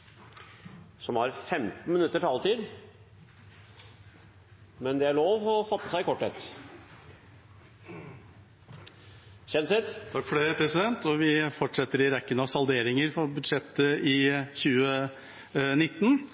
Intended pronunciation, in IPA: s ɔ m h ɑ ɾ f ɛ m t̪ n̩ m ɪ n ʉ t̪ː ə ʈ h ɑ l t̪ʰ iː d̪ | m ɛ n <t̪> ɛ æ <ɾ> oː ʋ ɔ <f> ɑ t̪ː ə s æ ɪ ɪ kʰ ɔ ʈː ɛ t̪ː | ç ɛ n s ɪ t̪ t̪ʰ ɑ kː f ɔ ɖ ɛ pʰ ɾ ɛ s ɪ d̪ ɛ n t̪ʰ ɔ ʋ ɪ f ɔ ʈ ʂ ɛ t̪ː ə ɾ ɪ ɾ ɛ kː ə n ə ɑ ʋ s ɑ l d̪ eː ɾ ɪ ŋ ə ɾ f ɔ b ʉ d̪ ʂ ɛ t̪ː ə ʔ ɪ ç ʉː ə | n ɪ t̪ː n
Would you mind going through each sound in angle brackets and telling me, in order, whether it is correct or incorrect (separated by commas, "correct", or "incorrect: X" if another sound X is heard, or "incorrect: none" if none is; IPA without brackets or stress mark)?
incorrect: d̪, incorrect: ɭ, correct